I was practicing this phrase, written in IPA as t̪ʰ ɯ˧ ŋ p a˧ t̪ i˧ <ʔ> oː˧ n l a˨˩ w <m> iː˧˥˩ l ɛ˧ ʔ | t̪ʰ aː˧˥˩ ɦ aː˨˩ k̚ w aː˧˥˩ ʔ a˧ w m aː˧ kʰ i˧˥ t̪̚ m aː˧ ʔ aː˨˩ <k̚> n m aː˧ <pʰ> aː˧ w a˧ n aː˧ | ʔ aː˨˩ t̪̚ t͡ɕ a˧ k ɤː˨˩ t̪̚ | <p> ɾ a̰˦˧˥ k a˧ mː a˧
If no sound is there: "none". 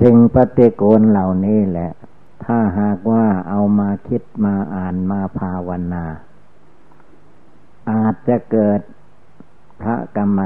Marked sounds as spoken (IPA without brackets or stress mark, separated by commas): k, n, none, pʰ, pʰ